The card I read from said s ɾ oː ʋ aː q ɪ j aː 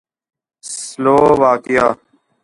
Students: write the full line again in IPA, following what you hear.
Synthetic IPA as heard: s l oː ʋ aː k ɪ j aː